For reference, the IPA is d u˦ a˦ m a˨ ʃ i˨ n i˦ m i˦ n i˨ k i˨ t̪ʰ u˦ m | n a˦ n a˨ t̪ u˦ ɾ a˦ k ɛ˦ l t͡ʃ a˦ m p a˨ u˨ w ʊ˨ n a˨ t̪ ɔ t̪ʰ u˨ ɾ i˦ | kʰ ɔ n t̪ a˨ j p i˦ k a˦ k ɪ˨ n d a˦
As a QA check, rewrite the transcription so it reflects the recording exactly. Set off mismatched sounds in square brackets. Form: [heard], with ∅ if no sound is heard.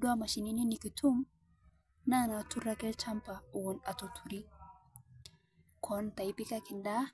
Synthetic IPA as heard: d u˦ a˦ m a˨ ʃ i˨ n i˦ [n] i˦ n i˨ k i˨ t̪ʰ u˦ m | n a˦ n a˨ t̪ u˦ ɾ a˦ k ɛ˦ l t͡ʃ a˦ m p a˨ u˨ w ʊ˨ n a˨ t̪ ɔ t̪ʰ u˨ ɾ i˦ | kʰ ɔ n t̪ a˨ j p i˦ k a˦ k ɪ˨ n d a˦